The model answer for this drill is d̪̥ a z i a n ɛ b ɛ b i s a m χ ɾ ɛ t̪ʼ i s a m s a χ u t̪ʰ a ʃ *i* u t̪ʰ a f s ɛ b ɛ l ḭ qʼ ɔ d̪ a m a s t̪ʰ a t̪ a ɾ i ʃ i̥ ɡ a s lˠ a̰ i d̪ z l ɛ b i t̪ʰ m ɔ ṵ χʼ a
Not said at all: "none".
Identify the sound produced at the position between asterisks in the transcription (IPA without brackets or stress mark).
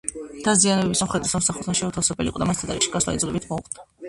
ɛ